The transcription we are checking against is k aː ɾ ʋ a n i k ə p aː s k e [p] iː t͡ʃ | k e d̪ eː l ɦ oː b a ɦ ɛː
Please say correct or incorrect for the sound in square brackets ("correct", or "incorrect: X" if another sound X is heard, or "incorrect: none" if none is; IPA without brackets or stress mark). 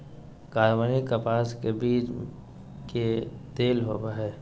incorrect: b